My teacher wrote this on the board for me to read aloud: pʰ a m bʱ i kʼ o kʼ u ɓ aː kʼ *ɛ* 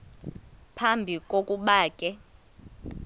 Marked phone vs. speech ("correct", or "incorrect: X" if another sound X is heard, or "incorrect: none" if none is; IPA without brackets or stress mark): correct